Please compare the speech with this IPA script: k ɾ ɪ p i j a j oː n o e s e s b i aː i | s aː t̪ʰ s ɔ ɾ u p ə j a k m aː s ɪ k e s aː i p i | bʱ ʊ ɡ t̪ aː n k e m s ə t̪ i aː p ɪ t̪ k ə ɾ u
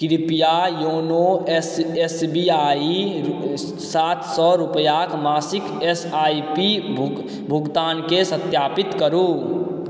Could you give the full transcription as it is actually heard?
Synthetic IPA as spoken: k ɾ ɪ p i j a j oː n o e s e s b i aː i | s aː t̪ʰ s ɔ ɾ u p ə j a k m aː s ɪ k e s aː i p i | bʱ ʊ ɡ t̪ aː n k e s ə t̪ j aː p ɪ t̪ k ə ɾ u